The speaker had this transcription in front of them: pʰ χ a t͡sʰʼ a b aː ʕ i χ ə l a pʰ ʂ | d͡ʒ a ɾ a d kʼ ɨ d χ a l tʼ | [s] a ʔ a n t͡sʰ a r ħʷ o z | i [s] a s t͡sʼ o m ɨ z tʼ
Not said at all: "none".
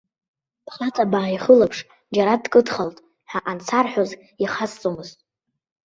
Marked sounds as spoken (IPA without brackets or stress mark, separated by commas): ħ, χ